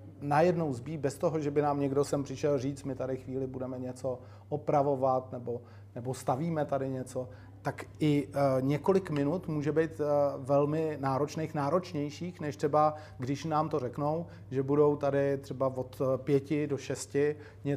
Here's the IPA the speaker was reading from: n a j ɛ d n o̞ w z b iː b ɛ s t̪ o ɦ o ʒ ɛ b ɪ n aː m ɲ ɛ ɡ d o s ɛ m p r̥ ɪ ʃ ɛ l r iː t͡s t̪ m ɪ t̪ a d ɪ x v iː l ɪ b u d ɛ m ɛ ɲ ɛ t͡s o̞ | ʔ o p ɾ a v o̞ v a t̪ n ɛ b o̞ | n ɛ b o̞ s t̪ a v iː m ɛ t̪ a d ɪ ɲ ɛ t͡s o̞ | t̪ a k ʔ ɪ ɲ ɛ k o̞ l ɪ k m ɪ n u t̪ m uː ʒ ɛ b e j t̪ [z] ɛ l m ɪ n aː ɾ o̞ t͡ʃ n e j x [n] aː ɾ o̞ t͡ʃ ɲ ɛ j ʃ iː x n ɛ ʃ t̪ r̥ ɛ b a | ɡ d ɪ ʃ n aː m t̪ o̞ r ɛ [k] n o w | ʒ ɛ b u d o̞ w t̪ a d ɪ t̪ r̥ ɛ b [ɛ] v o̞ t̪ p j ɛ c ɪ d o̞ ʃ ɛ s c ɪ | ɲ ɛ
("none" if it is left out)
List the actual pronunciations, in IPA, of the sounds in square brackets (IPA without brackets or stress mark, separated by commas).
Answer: v, n, k, a